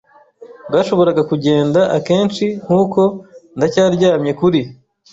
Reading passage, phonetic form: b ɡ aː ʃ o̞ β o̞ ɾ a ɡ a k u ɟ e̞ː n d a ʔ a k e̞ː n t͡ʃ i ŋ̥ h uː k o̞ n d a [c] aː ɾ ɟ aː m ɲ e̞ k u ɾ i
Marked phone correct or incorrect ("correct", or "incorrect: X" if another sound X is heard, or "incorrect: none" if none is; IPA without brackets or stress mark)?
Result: correct